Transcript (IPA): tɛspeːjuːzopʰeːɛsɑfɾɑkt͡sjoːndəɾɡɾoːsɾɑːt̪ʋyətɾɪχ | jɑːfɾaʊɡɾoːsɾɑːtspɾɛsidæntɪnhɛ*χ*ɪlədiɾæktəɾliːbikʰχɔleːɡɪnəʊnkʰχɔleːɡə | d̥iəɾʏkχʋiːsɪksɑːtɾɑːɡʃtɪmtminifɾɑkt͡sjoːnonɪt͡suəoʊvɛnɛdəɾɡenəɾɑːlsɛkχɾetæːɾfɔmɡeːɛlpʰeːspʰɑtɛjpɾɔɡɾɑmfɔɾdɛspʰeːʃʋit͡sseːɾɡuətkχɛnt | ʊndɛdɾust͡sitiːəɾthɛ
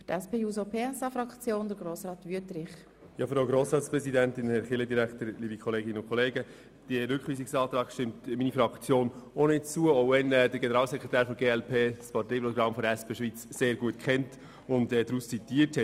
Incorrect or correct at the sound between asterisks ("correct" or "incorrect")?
correct